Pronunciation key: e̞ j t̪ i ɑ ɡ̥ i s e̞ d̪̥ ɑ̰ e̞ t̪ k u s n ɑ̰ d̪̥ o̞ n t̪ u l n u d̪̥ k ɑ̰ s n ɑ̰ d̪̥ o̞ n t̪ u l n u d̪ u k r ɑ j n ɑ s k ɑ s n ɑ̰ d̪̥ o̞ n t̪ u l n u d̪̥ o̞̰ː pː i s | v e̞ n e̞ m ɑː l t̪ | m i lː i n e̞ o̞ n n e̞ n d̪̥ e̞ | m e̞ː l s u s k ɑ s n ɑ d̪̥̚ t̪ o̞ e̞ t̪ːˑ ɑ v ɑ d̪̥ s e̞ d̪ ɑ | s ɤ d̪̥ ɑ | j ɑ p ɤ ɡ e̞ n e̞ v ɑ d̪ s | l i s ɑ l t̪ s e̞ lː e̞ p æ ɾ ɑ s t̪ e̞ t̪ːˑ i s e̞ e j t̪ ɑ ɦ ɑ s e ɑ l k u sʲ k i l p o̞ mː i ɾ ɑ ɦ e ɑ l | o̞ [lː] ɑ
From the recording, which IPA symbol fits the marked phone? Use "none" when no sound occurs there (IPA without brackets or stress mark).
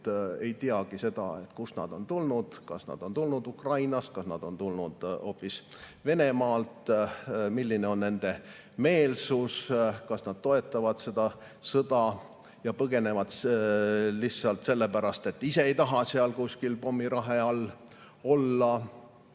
lː